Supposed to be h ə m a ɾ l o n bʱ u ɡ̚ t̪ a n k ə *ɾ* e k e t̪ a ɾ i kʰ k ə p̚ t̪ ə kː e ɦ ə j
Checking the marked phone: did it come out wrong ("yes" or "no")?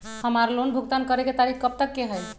no